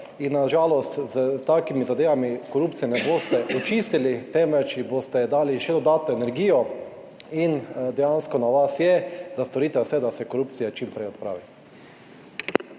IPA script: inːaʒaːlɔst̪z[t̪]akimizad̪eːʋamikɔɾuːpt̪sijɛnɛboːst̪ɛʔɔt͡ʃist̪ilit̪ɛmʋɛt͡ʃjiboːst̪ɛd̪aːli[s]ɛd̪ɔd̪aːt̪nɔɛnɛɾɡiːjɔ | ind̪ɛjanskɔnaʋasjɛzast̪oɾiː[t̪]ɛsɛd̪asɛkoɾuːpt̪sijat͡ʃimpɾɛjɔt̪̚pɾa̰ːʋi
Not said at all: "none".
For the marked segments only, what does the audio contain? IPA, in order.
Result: t̪, ʃ, t̪

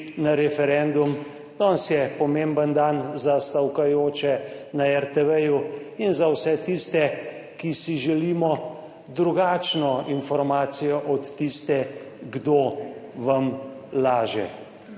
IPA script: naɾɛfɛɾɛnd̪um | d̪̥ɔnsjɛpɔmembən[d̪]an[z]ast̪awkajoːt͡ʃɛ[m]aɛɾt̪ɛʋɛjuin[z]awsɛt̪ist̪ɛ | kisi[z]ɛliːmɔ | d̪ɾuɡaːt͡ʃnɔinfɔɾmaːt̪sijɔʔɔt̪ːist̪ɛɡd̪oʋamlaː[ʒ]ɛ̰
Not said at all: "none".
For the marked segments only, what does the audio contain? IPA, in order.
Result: d̪, z, n, z, ʒ, ʒ

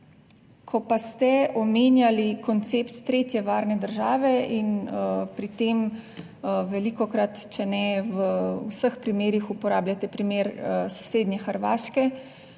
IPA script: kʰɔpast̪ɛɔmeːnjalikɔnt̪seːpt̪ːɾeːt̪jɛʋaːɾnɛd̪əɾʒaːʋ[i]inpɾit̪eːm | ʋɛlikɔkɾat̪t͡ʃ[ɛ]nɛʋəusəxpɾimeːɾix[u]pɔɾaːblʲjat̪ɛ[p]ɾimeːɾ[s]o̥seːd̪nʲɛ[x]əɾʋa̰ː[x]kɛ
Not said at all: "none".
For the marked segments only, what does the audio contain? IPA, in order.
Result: ɛ, ɛ, u, p, s, x, ʃ

